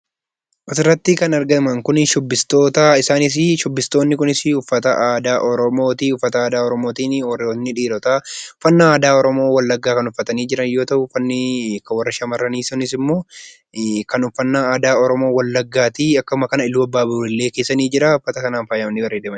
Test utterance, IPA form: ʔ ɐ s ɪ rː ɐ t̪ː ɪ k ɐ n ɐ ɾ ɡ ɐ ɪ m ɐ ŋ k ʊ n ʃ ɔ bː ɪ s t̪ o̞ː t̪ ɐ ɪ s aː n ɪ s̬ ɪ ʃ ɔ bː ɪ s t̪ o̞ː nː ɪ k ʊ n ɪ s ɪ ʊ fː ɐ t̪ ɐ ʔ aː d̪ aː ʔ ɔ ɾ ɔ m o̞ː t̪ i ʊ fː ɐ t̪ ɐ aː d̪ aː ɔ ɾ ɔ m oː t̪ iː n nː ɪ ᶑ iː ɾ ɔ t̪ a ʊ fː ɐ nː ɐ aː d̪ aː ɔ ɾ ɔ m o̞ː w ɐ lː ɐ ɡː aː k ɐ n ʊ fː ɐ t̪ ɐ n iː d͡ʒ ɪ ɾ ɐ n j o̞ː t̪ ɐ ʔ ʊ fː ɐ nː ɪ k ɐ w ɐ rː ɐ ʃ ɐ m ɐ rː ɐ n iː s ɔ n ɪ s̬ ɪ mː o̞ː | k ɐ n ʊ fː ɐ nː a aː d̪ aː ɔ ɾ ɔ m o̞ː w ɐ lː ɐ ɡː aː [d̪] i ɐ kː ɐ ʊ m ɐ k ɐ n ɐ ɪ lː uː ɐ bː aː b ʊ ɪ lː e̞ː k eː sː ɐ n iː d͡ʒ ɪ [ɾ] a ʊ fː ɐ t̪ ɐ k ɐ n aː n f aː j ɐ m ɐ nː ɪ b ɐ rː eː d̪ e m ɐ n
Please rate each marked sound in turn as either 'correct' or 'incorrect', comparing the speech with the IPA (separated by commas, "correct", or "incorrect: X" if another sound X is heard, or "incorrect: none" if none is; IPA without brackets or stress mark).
incorrect: t̪, correct